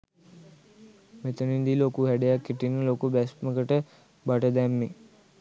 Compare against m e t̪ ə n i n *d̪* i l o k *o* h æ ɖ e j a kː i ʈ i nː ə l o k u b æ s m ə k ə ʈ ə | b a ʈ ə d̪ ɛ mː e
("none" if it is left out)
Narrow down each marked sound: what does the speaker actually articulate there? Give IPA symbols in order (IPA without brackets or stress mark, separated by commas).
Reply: d̪, u